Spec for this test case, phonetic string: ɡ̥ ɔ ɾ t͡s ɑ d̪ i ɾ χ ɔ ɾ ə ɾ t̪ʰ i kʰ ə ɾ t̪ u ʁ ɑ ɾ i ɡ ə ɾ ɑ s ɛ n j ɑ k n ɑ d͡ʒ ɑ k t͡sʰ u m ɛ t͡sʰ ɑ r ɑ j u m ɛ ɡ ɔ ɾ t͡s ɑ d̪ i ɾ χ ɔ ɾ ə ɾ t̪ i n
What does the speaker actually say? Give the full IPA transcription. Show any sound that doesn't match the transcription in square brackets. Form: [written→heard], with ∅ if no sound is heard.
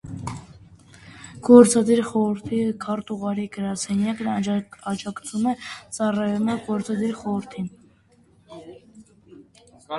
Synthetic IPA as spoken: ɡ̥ ɔ ɾ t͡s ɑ d̪ i ɾ χ ɔ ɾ ə ɾ t̪ʰ i kʰ [ə→ɑ] ɾ t̪ u ʁ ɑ ɾ i ɡ ə ɾ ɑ s ɛ n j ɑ k n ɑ d͡ʒ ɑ k t͡sʰ u m ɛ [t͡sʰ→t͡s] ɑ r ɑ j u m ɛ ɡ ɔ ɾ t͡s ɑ d̪ i ɾ χ ɔ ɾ ə ɾ [t̪→t̪ʰ] i n